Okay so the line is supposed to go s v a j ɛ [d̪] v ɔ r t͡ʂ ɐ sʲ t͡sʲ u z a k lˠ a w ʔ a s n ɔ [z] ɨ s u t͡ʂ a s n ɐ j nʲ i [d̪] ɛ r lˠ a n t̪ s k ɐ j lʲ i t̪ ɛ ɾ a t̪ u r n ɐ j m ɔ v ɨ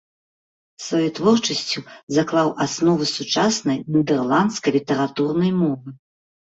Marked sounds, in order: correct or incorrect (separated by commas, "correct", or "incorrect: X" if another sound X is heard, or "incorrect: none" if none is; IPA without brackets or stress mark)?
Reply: incorrect: t̪, incorrect: v, correct